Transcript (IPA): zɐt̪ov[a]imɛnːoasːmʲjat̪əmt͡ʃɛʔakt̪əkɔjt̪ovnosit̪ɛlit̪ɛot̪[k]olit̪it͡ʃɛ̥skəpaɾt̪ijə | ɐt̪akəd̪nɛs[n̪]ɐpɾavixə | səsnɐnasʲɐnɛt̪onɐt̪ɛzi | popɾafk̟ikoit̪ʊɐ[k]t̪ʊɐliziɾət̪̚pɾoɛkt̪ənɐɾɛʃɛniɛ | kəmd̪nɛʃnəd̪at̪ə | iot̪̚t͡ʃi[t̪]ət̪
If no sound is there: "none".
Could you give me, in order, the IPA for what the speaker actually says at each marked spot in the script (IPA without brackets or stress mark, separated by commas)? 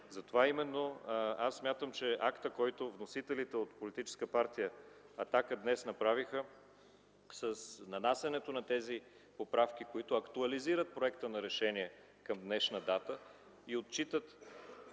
a, p, n̪, k, t̪